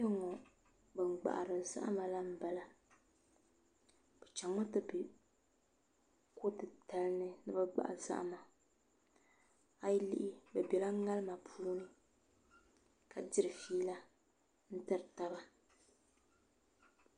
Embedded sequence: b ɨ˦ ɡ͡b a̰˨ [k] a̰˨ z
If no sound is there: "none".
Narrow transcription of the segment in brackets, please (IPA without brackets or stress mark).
ʔ